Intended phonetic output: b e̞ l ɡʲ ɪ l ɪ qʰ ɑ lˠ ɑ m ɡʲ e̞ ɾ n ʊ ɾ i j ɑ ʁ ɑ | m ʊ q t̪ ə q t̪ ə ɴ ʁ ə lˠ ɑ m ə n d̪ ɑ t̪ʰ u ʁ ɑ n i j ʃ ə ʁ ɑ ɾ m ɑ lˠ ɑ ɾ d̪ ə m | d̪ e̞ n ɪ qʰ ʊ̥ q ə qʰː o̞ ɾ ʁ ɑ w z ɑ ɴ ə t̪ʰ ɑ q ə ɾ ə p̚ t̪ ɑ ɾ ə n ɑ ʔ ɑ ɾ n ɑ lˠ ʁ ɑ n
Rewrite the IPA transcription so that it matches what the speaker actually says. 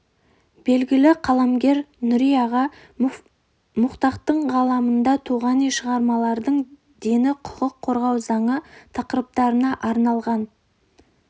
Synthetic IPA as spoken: b e̞ l ɡʲ ɪ l ɪ qʰ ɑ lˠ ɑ m ɡʲ e̞ ɾ n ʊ ɾ i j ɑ ʁ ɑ | m ʊ q t̪ ɑ q t̪ ə ɴ ʁ ɑ lˠ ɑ m ə n d̪ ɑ t̪ʰ u ʁ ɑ n i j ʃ ə ʁ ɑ ɾ m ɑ lˠ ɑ ɾ d̪ ə ɴ | d̪ e̞ n ɪ qʰ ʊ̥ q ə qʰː o̞ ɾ ʁ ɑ w z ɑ ɴ ə t̪ʰ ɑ q ə ɾ ə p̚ t̪ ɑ ɾ ə n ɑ ʔ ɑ ɾ n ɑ lˠ ʁ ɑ n